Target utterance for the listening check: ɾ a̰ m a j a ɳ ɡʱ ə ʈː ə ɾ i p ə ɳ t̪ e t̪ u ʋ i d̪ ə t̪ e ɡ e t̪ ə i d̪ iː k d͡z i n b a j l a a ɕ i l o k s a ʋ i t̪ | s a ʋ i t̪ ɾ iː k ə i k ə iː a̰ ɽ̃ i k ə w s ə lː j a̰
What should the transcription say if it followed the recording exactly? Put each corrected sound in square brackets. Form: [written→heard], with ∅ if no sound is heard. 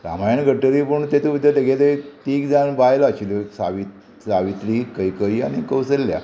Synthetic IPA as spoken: ɾ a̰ m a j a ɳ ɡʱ ə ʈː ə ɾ i p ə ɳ t̪ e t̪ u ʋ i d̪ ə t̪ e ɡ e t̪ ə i [d̪→t̪] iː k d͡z [i→a] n b a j l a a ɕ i l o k s a ʋ i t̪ | s a ʋ i t̪ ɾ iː k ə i k ə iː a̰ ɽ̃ i k ə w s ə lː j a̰